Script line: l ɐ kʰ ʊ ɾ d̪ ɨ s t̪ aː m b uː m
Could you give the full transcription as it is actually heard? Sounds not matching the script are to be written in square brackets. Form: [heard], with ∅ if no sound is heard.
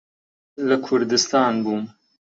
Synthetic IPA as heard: l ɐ kʰ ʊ ɾ d̪ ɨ s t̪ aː [n] b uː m